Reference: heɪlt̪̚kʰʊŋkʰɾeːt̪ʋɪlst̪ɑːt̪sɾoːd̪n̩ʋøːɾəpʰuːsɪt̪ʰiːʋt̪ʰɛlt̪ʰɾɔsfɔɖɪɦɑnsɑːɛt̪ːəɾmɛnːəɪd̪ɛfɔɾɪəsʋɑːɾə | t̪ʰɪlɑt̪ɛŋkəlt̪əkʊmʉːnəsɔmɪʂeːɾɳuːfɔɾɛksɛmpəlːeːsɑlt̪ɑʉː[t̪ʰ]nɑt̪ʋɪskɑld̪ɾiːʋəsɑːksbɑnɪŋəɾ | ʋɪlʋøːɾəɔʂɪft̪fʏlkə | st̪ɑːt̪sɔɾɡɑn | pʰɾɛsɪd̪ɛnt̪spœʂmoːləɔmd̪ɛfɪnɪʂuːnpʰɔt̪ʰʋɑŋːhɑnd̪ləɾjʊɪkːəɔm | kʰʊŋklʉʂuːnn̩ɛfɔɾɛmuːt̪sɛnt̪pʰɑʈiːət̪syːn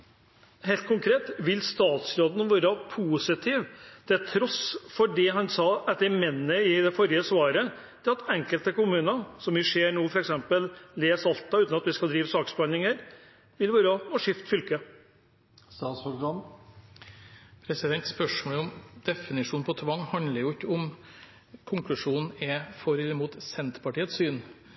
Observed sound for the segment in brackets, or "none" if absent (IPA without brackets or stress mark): t̪